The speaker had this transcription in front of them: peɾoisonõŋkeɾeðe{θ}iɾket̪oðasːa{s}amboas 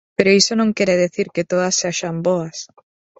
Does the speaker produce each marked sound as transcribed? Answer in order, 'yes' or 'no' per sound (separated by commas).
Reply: yes, no